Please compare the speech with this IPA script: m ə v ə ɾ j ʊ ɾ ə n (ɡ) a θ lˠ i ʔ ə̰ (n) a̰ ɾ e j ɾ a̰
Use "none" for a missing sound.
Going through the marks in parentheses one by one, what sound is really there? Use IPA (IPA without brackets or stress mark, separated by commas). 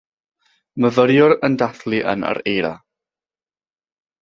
d, n